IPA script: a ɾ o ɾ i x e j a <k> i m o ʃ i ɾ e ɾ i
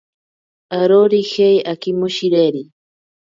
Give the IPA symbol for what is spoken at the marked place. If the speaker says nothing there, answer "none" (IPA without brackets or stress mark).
k